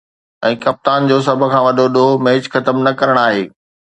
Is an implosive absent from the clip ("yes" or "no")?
no